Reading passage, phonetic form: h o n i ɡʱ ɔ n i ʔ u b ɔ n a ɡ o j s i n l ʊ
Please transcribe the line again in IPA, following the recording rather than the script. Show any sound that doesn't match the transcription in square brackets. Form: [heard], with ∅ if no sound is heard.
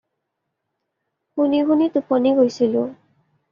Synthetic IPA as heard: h [u] n i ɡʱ [u] n i [t] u [p] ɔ n [i] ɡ o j s i [∅] l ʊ